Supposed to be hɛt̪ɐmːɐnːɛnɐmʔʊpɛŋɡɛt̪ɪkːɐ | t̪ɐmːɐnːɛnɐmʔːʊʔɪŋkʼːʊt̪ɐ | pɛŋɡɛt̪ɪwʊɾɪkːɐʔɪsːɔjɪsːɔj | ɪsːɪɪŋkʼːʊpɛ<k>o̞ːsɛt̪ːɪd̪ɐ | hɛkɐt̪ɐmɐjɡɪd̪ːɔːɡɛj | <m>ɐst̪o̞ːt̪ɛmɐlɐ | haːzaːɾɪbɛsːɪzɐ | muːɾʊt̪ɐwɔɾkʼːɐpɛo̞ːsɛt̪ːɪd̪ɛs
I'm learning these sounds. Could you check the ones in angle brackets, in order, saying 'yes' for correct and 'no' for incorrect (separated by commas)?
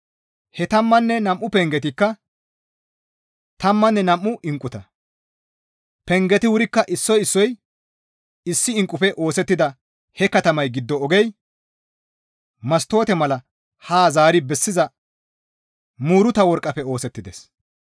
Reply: no, yes